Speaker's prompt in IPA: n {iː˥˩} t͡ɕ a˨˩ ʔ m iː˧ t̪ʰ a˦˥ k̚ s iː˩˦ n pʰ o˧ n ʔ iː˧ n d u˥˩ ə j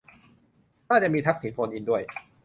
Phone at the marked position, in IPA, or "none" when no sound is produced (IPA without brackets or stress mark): aː˥˩